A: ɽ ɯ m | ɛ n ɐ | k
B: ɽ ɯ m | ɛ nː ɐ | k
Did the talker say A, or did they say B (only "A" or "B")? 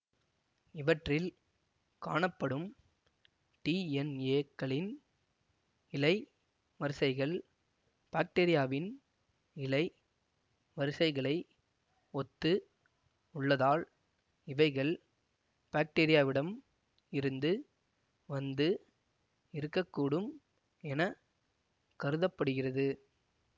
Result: A